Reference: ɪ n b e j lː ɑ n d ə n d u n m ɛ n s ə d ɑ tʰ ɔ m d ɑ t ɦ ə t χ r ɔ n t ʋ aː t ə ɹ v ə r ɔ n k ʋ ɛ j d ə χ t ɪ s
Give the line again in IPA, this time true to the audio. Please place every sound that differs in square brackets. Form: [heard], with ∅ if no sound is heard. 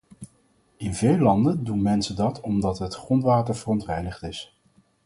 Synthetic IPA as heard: ɪ n [v] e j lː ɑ n d ə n d u n m ɛ n s ə d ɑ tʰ ɔ m d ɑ t ɦ ə t χ r ɔ n t ʋ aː t ə ɹ v ə r ɔ n [t] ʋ ɛ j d ə χ t ɪ s